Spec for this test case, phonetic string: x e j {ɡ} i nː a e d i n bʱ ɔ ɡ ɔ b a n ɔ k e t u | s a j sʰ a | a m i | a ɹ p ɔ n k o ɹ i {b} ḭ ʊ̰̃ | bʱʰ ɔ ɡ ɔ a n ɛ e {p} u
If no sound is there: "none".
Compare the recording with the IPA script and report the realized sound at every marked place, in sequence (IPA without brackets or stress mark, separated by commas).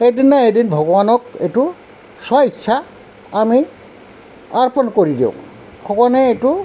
d, d, t